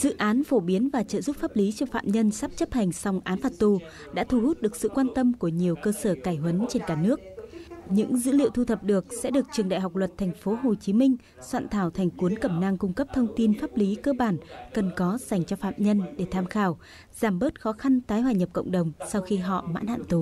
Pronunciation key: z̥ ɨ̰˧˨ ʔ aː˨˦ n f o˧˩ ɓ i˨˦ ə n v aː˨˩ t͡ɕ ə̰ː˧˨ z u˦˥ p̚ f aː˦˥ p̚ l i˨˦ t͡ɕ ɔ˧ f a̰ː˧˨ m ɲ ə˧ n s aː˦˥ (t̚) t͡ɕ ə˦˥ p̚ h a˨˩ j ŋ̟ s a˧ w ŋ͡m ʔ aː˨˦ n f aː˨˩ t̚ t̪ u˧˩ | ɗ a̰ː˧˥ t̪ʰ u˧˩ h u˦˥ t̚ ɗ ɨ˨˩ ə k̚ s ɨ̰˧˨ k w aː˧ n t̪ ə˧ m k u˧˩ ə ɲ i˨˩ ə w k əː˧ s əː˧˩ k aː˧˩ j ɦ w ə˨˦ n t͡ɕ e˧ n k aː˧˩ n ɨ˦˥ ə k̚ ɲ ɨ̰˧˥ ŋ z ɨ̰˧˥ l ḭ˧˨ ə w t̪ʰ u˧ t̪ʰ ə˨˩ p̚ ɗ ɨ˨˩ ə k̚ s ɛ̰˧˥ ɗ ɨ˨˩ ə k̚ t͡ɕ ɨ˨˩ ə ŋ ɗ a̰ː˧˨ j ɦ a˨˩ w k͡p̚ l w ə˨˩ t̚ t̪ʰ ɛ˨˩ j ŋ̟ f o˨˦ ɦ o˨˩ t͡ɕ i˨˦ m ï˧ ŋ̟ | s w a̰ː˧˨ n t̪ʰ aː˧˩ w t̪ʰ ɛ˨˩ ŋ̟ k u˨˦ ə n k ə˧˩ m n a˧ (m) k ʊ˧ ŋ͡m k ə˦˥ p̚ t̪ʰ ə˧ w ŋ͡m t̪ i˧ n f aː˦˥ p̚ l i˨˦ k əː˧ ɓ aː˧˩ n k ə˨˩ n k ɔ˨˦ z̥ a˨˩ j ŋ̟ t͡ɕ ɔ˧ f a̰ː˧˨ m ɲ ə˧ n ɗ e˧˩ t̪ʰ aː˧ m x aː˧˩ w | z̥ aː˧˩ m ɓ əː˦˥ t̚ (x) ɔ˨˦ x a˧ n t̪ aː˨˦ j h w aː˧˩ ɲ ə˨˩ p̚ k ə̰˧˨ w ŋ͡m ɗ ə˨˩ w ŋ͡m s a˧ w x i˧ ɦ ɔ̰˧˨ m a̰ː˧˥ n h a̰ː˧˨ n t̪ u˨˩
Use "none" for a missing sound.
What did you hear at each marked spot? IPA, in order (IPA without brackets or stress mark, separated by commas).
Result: p̚, ŋ, x